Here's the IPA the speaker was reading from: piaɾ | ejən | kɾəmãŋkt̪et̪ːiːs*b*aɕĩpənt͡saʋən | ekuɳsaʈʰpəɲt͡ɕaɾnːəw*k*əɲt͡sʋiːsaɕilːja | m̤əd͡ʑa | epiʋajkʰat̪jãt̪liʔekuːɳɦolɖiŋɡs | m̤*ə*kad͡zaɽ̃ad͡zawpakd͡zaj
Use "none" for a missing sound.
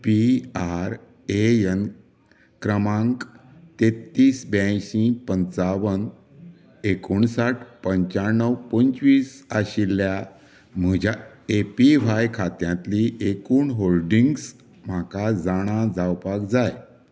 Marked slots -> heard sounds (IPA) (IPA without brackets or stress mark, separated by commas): b, p, a